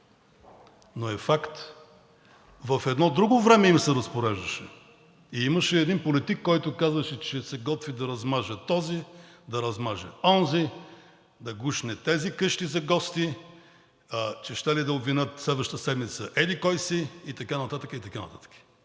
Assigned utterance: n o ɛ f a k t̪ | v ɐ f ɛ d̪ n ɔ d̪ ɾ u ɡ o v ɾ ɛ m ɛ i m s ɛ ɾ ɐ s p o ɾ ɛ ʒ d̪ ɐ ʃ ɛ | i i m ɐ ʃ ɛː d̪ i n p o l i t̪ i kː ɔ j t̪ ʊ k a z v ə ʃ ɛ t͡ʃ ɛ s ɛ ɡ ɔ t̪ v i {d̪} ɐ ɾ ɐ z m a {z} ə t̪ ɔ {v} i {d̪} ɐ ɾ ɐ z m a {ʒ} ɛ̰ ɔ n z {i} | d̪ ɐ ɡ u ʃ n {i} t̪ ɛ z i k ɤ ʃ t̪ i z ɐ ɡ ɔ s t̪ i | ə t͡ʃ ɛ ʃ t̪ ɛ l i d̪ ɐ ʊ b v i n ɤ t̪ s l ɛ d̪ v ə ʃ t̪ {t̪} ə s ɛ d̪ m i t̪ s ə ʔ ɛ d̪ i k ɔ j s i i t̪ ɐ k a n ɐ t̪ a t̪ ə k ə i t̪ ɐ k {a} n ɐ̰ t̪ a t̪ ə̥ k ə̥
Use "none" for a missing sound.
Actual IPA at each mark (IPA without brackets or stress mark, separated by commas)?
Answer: d̪, ʒ, z, d̪, ʒ, i, ɛ, t̪, a